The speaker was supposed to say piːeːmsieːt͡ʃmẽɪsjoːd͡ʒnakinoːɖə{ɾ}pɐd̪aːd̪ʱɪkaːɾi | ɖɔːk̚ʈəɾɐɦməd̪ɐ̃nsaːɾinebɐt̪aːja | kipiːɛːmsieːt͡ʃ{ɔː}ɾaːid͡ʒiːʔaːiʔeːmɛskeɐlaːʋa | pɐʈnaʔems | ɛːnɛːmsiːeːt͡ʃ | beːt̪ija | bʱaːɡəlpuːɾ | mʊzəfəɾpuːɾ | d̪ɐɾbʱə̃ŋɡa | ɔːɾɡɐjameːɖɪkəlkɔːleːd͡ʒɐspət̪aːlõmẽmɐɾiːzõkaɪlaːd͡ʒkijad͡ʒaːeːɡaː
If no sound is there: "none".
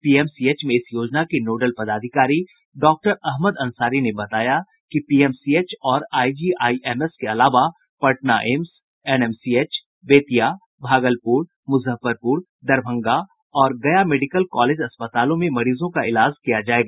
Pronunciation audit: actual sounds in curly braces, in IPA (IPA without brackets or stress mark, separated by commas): l, ɔː